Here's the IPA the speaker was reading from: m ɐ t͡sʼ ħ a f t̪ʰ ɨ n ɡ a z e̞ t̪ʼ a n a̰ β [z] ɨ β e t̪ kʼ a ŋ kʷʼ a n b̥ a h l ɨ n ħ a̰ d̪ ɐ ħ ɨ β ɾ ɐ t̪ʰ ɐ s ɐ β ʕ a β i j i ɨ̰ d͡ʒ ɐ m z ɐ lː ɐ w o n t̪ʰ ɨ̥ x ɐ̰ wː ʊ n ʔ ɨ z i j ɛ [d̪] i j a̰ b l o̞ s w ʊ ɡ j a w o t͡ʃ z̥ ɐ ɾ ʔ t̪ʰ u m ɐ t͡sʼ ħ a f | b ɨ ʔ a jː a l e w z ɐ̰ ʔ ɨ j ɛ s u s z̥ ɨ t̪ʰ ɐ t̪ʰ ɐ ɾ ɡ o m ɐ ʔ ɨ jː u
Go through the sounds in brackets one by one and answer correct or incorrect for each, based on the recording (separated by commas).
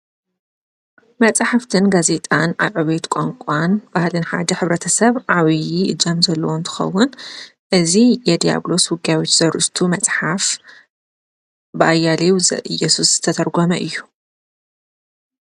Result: incorrect, correct